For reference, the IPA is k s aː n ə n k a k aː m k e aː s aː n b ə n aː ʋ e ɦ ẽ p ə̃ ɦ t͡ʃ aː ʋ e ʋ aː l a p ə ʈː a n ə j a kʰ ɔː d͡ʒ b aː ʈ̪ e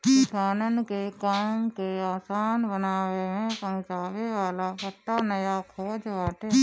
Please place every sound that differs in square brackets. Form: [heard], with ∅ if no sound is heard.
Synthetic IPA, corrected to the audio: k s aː n ə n k [e] k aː m k e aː s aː n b ə n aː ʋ e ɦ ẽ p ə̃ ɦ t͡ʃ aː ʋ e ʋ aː l a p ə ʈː a n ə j a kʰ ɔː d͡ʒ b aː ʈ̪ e